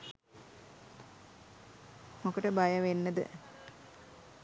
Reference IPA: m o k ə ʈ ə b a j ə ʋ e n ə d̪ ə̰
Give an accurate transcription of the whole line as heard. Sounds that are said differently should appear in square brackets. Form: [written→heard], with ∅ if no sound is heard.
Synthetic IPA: m o k ə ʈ ə b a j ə ʋ e [n→nː] ə d̪ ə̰